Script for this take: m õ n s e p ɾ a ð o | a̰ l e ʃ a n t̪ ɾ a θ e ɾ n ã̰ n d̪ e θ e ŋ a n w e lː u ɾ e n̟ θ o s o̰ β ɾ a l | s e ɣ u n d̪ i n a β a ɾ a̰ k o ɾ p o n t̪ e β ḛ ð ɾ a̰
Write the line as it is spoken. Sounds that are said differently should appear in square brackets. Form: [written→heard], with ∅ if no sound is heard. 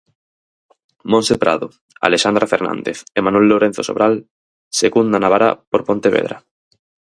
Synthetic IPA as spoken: m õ n s e p ɾ a ð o | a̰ l e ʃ a n [t̪→d̪] ɾ a [θ→f] e ɾ n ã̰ n d̪ e θ e [ŋ→m] a n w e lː [u→o] ɾ e n̟ θ o s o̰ β ɾ a l | s e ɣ u n d̪ [i→a] n a β a ɾ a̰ [k→p] o ɾ p o n t̪ e β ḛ ð ɾ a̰